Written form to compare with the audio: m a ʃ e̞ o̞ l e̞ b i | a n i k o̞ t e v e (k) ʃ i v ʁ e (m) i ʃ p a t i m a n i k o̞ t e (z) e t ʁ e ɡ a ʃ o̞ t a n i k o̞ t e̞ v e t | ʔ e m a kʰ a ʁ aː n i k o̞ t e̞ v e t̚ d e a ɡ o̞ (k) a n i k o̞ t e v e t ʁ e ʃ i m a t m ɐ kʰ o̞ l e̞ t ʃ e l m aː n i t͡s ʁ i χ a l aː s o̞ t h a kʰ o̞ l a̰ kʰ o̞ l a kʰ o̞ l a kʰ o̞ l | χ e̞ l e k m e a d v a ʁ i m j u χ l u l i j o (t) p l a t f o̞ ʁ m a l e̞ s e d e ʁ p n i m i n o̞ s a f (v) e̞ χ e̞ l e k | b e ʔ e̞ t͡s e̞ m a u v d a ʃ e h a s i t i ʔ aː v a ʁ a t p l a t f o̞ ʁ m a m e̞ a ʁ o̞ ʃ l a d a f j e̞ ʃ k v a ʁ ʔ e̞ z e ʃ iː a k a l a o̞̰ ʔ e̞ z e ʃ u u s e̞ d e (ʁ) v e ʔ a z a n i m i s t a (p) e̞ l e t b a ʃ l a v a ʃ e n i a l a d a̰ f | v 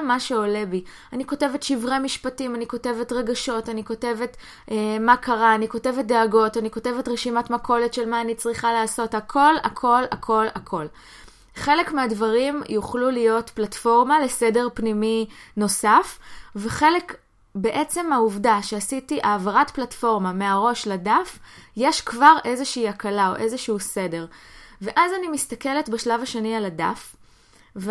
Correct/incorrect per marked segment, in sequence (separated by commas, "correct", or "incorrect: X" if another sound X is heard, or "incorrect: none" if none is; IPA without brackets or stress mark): incorrect: t, correct, incorrect: v, incorrect: t, correct, correct, correct, incorrect: k